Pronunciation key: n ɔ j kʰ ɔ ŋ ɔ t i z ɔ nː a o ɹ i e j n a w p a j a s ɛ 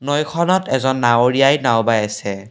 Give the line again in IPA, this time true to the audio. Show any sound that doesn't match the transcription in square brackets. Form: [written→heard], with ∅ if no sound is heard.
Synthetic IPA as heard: n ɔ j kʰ ɔ [ŋ→n] ɔ t [i→ɛ] z ɔ nː a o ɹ i [e→a] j n a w [p→b] a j a s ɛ